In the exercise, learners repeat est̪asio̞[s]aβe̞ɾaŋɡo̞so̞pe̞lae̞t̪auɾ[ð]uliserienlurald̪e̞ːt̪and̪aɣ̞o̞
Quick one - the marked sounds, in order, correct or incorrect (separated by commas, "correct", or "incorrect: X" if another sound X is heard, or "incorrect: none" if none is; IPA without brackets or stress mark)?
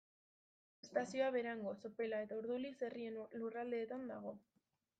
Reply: incorrect: none, correct